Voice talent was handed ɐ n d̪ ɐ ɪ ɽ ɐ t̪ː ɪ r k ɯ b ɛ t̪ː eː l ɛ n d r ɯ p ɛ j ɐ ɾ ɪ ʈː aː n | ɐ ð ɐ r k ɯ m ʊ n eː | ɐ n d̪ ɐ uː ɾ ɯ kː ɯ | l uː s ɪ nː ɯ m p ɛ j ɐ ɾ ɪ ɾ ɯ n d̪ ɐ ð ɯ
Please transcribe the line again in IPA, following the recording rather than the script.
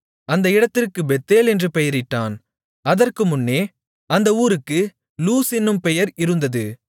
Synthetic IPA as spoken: ɐ n d̪ ɐ ɪ ɽ ɐ t̪ː ɪ r k ɯ b ɛ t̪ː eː l ɛ n d r ɯ p ɛ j ɐ ɾ ɪ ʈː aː n | ɐ ð ɐ r k ɯ m ʊ nː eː | ɐ n d̪ ɐ uː ɾ ɯ kː ɯ | l uː s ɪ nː ɯ m p ɛ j ɐ ɾ ɪ ɾ ɯ n d̪ ɐ ð ɯ